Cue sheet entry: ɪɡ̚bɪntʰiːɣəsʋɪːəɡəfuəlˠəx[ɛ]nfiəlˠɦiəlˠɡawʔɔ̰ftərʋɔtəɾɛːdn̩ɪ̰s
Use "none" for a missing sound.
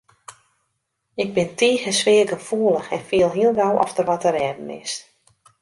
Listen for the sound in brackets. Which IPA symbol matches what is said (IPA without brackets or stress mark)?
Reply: ɛ